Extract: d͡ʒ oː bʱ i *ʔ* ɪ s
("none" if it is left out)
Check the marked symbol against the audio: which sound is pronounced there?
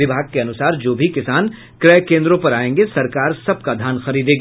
k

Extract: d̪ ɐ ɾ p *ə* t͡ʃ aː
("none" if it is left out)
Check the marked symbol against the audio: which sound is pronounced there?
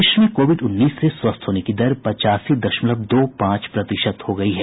ɐ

